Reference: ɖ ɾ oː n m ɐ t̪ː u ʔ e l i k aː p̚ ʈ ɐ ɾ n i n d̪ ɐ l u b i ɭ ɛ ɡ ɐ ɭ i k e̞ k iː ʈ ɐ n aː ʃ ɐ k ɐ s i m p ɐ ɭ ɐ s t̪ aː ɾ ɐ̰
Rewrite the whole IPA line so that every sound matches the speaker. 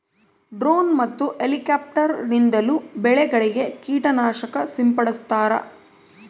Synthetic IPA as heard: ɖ ɾ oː n m ɐ t̪ː u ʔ e l i k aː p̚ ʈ ɐ ɾ n i n d̪ ɐ l u b ɛ ɭ ɛ ɡ ɐ ɭ i ɡ e̞ k iː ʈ ɐ n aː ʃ ɐ k ɐ s i m p ɐ ɽ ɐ s t̪ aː ɾ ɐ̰